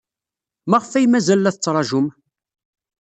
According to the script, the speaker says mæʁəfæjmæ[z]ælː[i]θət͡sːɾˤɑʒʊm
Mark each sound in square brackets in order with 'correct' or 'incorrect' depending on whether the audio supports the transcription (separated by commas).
correct, incorrect